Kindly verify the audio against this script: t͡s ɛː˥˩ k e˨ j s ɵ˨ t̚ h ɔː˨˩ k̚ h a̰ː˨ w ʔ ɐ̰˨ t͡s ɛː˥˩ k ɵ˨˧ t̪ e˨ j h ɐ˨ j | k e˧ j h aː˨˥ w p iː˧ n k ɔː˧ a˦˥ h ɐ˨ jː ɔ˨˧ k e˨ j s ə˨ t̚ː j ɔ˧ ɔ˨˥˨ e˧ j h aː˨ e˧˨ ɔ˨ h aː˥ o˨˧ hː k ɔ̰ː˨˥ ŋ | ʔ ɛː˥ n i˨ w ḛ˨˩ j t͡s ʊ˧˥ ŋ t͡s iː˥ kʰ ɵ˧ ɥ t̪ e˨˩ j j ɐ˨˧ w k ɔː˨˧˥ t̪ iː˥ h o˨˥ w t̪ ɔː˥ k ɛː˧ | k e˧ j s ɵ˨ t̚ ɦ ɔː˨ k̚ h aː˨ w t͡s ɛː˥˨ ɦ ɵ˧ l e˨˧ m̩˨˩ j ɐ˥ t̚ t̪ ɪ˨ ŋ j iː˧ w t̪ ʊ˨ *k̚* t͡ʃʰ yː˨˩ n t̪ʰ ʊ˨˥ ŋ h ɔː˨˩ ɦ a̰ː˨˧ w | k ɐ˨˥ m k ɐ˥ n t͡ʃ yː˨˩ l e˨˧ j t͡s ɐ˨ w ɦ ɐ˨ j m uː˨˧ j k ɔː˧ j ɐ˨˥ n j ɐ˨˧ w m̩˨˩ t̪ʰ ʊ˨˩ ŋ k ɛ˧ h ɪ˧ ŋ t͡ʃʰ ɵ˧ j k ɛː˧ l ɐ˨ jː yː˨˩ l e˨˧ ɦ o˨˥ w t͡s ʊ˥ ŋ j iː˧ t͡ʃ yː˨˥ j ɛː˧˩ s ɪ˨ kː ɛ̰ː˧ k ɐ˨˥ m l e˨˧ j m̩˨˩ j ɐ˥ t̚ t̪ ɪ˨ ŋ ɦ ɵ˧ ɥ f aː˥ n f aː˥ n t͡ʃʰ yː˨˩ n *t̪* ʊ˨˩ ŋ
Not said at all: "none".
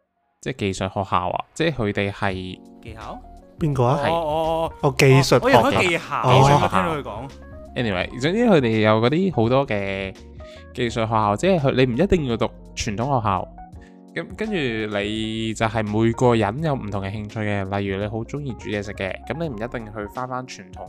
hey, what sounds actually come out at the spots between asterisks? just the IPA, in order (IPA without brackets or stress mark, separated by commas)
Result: k̚, t̪ʰ